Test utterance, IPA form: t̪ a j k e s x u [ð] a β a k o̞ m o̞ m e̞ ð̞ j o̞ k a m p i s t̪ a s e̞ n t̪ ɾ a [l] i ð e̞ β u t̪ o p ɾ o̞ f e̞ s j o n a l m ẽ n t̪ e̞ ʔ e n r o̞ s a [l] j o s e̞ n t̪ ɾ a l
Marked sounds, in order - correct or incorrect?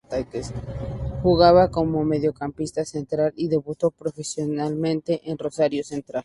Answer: incorrect: ɣ, correct, incorrect: ɾ

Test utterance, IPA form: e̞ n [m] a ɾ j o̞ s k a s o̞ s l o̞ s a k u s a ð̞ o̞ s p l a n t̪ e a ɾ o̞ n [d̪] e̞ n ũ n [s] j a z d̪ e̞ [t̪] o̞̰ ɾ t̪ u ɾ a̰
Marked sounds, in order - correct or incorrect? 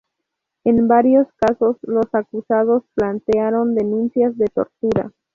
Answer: incorrect: b, correct, correct, correct

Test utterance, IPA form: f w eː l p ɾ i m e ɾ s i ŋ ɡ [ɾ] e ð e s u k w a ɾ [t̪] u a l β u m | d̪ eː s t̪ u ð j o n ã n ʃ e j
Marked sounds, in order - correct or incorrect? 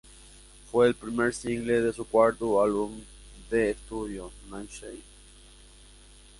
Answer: incorrect: l, correct

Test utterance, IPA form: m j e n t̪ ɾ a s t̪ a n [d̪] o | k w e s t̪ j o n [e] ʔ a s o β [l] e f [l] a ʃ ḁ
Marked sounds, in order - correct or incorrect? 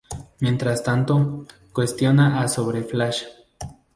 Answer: incorrect: t̪, incorrect: a, incorrect: ɾ, correct

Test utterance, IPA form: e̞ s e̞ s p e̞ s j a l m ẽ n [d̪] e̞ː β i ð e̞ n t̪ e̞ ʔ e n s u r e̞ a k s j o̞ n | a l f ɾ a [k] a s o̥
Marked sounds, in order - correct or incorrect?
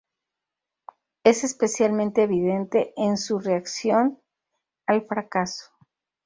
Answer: incorrect: t̪, correct

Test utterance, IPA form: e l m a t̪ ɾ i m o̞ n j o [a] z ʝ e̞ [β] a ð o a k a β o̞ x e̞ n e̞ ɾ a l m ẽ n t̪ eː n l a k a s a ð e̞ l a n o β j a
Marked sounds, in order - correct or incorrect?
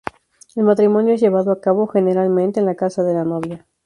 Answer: incorrect: e, correct

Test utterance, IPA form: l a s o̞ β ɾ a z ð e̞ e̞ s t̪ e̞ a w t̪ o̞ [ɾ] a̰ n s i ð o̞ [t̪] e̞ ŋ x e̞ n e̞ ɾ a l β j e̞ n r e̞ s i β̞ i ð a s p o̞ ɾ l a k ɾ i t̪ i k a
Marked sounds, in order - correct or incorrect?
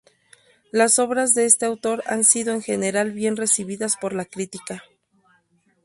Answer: correct, incorrect: none

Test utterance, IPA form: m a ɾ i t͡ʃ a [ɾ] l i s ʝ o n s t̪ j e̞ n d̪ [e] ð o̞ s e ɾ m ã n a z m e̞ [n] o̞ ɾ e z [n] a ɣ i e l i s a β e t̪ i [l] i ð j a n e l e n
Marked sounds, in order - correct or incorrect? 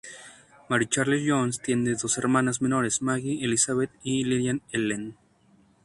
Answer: correct, correct, correct, incorrect: m, correct

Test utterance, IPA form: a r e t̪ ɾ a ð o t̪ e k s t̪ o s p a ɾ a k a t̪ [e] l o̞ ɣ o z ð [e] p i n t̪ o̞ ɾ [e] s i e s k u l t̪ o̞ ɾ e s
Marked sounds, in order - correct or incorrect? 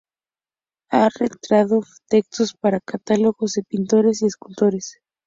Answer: incorrect: a, correct, correct

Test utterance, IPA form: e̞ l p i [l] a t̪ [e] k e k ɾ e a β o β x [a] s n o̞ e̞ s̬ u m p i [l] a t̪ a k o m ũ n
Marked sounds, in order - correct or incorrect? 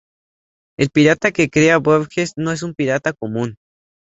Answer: incorrect: ɾ, incorrect: a, incorrect: e, incorrect: ɾ

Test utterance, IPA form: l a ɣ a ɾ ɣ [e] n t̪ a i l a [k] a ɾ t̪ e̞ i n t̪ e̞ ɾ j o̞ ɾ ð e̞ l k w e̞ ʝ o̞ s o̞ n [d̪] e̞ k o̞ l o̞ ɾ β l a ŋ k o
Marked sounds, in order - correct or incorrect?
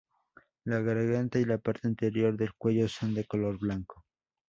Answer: incorrect: a, incorrect: p, correct

